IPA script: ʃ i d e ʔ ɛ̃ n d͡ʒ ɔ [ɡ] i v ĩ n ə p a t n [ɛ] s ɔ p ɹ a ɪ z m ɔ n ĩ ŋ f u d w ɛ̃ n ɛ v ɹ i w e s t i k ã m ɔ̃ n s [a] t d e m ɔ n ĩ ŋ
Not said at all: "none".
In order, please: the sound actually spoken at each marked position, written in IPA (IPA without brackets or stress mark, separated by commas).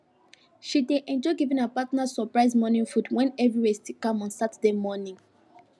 ɡ, a, a